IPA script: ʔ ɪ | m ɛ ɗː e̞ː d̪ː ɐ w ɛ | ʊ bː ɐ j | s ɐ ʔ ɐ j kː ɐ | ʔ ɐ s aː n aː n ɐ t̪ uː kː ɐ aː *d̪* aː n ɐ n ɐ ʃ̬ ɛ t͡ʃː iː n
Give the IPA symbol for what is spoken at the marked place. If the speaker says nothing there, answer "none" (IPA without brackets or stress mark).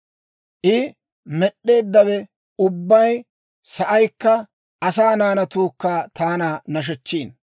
t̪